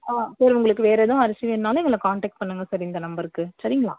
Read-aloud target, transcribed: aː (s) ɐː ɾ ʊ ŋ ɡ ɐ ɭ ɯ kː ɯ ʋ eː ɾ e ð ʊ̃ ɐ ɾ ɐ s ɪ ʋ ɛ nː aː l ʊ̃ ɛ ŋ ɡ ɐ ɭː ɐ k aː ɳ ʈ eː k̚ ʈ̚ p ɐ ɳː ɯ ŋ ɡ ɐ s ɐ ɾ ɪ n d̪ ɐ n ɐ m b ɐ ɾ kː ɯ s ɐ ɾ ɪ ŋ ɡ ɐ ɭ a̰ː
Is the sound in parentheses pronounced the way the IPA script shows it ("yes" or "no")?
yes